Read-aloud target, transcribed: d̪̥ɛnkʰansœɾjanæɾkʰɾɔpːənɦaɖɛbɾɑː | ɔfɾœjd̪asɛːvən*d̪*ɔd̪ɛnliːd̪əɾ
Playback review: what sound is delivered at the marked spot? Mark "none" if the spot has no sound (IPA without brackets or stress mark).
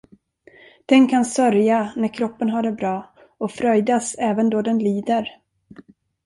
d̪